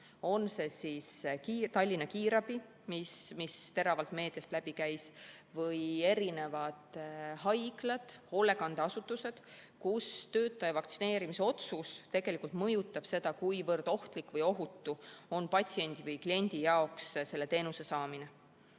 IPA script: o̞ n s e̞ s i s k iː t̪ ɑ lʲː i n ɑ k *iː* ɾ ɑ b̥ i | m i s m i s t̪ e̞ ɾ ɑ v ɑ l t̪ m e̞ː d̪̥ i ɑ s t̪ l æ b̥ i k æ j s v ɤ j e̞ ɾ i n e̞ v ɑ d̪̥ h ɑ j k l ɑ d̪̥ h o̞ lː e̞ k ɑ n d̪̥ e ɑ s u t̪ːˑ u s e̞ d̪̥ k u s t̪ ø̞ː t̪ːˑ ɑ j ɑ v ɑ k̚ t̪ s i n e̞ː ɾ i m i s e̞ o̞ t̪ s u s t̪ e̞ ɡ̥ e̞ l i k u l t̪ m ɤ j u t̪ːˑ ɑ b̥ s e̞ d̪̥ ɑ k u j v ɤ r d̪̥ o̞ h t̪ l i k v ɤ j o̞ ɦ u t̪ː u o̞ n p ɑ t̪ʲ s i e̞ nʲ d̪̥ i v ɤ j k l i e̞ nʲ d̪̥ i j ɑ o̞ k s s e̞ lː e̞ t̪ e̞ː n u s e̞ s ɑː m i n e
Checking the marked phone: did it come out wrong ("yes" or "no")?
no